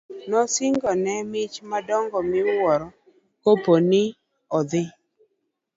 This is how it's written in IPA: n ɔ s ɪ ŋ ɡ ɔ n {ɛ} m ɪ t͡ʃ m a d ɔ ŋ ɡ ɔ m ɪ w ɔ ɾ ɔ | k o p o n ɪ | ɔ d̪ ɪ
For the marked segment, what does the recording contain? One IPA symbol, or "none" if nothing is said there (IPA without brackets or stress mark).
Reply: ɛ